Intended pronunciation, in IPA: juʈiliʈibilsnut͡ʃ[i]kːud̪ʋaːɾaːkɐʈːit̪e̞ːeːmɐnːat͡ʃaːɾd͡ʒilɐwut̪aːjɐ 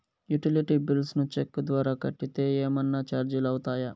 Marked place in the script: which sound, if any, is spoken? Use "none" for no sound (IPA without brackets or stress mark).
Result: e